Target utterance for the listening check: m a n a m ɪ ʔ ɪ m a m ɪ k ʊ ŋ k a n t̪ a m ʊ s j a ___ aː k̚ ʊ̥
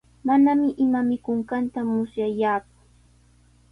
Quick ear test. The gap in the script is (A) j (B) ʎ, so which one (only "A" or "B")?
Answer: A